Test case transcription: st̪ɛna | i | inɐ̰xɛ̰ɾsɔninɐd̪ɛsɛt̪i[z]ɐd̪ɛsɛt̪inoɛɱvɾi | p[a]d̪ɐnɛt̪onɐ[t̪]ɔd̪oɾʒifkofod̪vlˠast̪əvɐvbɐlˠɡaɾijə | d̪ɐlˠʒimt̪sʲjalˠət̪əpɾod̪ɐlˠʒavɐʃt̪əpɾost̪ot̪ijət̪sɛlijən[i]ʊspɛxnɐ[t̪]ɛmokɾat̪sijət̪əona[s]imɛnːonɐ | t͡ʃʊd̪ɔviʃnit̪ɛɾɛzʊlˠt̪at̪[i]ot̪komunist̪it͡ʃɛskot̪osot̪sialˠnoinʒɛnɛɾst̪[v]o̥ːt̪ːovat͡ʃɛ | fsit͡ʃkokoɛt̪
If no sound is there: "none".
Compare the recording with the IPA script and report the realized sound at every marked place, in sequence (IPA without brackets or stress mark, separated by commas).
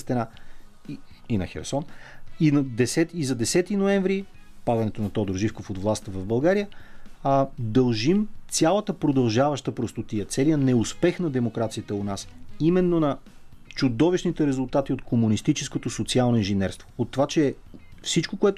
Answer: z, a, t̪, ɛ, d̪, s, i, v